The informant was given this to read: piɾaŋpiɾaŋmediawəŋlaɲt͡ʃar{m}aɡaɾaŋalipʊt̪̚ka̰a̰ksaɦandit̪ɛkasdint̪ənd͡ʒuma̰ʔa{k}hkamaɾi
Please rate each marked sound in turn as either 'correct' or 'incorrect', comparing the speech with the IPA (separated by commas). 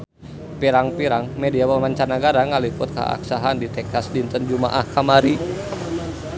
incorrect, incorrect